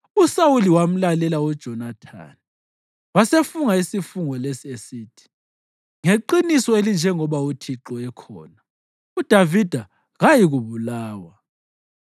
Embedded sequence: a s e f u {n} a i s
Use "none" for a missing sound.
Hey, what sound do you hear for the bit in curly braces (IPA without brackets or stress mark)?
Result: ŋ